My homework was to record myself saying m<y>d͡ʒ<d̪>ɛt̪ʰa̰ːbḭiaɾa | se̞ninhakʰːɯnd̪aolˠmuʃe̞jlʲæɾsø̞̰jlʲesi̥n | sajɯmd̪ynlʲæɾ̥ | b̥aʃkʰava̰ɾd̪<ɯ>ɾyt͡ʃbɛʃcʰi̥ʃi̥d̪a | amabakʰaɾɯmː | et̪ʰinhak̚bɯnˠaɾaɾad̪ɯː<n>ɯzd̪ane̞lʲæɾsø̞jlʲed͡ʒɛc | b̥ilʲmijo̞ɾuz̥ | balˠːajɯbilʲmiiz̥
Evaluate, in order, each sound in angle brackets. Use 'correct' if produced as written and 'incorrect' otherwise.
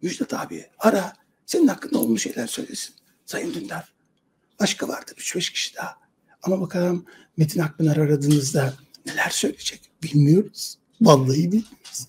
correct, correct, correct, correct

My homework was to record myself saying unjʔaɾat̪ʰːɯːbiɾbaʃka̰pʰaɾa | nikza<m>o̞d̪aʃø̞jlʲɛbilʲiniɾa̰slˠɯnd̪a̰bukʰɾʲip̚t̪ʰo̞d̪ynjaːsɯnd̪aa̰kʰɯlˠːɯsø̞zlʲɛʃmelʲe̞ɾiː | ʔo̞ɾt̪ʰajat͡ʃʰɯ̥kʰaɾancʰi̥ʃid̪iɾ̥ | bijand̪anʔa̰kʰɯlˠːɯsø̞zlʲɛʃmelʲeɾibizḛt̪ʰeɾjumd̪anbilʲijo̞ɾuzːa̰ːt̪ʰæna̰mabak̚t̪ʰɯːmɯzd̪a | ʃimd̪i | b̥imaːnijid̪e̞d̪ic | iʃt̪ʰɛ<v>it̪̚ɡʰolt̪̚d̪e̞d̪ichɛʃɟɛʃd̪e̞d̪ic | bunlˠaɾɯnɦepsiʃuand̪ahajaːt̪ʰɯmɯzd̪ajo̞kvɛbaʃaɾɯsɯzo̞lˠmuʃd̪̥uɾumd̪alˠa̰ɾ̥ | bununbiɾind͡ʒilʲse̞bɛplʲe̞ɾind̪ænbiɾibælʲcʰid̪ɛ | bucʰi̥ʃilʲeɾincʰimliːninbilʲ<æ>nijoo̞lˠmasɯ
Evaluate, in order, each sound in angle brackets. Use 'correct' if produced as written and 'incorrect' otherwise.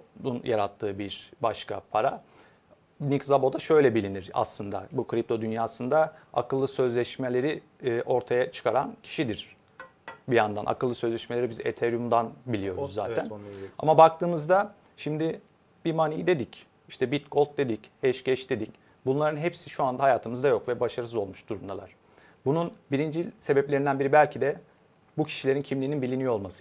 incorrect: b, incorrect: b, incorrect: i

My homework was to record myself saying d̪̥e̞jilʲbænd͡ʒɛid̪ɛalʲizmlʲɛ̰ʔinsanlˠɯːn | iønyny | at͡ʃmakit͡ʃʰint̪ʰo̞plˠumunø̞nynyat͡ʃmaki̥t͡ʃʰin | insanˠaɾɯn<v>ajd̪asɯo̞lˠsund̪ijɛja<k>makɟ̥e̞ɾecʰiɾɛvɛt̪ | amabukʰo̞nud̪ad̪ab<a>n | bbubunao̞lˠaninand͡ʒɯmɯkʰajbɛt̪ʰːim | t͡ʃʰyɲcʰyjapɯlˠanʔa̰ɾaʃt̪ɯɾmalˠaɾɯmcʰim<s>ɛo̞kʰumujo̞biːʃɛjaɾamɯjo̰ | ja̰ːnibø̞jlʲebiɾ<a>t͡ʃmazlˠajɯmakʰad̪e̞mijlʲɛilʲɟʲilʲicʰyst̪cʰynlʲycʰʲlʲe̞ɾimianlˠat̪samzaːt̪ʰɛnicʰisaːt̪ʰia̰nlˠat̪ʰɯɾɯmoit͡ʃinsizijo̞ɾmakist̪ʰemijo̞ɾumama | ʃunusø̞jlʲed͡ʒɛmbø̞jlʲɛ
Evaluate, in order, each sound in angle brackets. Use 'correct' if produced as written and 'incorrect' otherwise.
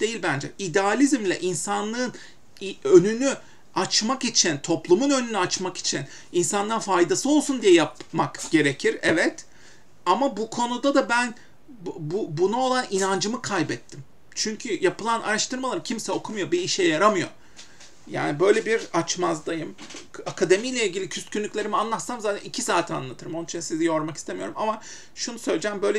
incorrect: f, incorrect: p, incorrect: æ, correct, correct

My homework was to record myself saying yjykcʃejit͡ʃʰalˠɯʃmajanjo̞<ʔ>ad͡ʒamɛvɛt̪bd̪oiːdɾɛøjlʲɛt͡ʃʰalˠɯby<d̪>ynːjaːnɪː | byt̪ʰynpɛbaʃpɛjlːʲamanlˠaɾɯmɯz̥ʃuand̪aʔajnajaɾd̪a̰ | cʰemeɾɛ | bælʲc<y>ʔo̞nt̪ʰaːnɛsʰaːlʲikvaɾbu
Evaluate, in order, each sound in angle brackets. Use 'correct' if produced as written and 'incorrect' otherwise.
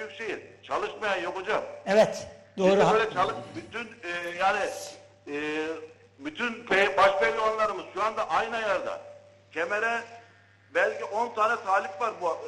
incorrect: k, incorrect: t̪, incorrect: i

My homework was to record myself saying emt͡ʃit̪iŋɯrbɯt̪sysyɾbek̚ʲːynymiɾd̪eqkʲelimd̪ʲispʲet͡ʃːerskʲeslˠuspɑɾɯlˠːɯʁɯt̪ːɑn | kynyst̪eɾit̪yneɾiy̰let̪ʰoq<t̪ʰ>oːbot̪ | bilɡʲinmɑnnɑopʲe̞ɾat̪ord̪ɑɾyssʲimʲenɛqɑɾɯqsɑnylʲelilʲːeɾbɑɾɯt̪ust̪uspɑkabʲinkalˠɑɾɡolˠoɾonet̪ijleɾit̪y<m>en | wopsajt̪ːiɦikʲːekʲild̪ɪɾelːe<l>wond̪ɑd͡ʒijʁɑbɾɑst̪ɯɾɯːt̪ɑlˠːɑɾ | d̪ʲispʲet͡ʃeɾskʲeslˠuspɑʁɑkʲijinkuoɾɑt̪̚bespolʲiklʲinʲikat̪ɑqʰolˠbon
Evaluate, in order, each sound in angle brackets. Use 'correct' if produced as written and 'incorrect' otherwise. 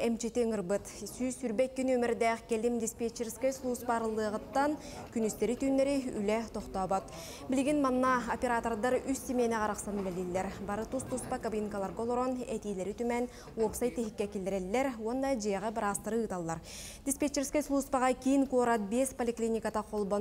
incorrect: t̪, correct, incorrect: ɾ

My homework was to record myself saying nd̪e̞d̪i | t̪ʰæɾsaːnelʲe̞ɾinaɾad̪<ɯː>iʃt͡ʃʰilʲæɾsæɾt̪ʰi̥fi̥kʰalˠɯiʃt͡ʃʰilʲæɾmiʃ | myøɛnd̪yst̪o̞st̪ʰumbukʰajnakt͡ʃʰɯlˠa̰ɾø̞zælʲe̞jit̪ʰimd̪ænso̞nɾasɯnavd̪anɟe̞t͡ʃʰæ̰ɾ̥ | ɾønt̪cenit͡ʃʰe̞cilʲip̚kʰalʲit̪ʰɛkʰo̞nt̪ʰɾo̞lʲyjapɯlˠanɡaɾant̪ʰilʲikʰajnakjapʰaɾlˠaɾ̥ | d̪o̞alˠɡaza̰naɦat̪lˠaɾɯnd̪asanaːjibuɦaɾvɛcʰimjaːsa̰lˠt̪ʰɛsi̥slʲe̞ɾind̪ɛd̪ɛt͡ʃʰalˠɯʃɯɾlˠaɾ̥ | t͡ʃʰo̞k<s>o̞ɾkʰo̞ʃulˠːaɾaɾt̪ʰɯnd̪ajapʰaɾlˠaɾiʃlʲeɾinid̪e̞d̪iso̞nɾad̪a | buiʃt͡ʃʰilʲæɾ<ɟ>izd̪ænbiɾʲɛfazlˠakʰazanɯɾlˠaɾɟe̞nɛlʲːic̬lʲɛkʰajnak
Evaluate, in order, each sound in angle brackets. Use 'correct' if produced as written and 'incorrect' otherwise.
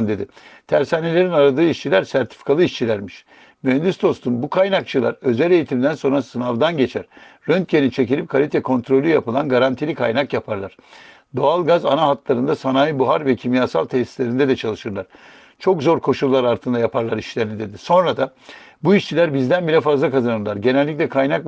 correct, incorrect: z, incorrect: b

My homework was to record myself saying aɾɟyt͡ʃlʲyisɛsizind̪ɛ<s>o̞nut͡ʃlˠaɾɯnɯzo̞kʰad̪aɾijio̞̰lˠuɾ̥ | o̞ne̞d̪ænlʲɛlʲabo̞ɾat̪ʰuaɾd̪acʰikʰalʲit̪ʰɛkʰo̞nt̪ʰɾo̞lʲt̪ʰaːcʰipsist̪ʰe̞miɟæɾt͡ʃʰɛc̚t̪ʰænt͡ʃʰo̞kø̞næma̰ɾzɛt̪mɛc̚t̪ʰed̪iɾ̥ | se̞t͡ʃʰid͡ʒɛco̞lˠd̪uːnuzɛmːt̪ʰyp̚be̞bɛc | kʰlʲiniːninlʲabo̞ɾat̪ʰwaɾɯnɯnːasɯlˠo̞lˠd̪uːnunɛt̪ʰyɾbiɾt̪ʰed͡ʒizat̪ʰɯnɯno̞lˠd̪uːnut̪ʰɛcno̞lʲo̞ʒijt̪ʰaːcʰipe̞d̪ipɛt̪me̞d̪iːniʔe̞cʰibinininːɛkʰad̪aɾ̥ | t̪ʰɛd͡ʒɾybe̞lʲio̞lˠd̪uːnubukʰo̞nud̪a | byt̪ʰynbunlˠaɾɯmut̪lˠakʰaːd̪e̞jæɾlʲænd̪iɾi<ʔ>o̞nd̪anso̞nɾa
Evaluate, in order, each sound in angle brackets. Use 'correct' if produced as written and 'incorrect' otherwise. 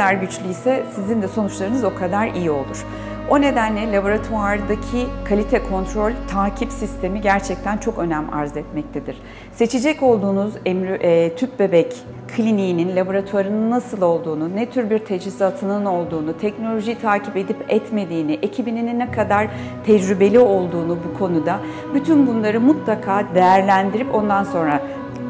correct, incorrect: p

